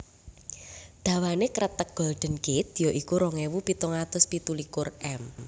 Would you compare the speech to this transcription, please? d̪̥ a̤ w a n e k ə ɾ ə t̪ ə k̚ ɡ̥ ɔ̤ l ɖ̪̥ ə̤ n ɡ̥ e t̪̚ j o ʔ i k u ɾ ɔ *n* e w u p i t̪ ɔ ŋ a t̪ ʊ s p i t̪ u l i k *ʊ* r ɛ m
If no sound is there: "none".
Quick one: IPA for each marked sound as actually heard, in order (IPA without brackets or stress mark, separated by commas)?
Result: ŋ, ʊ